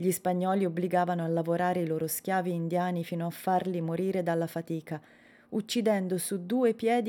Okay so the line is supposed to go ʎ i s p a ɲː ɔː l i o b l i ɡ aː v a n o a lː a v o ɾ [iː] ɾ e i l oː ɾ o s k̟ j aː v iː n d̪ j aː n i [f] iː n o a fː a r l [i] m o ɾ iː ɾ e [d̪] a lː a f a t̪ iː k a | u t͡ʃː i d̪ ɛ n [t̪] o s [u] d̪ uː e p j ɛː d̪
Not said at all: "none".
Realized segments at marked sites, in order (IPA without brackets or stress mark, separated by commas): aː, f, i, d̪, d̪, u